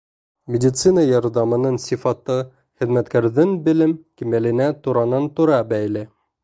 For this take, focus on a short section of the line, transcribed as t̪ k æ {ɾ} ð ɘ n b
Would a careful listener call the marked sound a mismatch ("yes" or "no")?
no